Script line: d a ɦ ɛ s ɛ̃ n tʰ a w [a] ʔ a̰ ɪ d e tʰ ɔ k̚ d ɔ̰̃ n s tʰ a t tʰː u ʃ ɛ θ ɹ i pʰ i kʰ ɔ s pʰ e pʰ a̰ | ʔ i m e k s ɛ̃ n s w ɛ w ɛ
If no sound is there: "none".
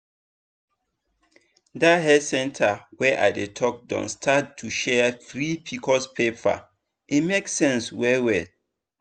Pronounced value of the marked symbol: ɛ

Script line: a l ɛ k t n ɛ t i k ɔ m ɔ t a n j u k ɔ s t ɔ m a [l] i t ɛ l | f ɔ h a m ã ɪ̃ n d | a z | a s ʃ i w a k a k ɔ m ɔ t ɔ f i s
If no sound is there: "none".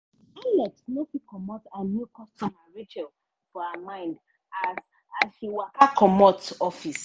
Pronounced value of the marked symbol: ɹ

